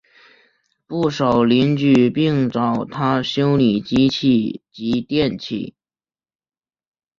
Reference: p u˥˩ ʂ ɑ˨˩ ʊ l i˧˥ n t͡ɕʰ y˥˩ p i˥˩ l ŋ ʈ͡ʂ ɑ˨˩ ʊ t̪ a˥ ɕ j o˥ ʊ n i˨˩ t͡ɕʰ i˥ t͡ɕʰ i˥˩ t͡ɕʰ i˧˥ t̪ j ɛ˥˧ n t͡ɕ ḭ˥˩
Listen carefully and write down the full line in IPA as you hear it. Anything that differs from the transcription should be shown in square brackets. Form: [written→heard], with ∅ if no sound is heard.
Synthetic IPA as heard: p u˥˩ ʂ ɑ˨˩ ʊ l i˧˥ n [t͡ɕʰ→t͡ɕ] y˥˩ p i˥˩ [l→∅] ŋ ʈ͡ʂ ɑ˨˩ ʊ [t̪→t̪ʰ] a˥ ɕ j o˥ ʊ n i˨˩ [t͡ɕʰ→t͡ɕ] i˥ t͡ɕʰ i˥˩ [t͡ɕʰ→t͡ɕ] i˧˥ t̪ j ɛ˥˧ n [t͡ɕ→t͡ɕʰ] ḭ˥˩